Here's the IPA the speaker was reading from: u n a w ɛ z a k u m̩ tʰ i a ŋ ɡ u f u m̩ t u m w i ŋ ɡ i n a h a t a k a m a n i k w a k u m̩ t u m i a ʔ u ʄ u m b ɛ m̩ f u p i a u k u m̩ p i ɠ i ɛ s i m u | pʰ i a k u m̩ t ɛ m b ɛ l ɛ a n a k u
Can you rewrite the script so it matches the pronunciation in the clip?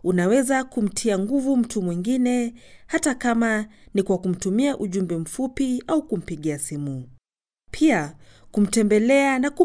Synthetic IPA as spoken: u n a w ɛ z a k u m̩ tʰ i a ŋ ɡ u v u m̩ t u m w i ŋ ɡ i n ɛ h a t a k a m a n i k w a k u m̩ t u m i a ʔ u ʄ u m b ɛ m̩ f u p i a u k u m̩ p i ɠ i a s i m u | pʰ i a k u m̩ t ɛ m b ɛ l ɛ a n a k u